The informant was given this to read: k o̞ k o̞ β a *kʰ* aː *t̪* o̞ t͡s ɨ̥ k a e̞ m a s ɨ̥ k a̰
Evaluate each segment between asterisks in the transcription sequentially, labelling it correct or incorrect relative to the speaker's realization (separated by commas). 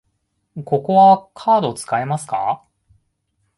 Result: correct, incorrect